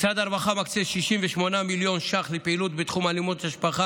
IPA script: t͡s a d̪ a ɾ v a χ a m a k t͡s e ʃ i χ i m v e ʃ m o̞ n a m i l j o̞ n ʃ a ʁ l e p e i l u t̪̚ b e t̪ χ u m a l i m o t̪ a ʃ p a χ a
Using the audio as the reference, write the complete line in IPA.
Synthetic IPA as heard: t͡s a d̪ a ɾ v a χ a m a k t͡s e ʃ i ʃ i m v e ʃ m o̞ n a m i l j o̞ n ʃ a χ l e p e i l u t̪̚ b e t̪ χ u m a l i m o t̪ a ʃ p a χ a